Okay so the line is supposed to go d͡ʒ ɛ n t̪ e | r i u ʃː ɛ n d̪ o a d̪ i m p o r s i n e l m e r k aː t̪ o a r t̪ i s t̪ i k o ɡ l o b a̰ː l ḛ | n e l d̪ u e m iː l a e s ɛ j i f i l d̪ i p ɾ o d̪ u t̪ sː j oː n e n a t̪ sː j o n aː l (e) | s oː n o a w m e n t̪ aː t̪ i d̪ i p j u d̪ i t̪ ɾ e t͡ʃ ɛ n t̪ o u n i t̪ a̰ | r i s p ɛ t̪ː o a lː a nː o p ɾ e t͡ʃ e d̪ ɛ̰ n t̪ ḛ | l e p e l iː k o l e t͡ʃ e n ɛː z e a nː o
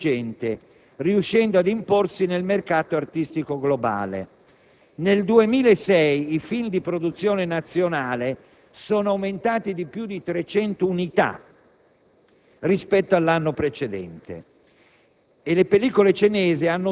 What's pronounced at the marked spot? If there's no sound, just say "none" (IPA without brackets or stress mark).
e